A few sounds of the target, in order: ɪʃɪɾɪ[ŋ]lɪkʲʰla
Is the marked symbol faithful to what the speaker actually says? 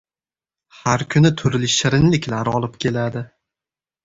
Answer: no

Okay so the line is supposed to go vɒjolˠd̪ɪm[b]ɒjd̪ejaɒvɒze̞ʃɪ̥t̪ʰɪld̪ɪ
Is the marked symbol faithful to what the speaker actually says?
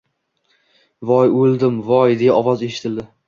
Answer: no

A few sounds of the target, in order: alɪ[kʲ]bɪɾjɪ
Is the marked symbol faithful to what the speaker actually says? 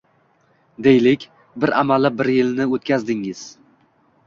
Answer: no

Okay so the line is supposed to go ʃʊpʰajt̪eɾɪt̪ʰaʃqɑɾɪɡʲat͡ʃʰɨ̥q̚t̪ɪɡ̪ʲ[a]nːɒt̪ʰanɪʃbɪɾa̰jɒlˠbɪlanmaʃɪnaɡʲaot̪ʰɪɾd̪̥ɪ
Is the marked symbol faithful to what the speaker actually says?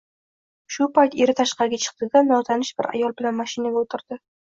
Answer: yes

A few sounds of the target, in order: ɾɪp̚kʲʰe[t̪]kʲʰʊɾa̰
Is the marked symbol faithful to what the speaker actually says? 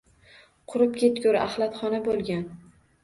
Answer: yes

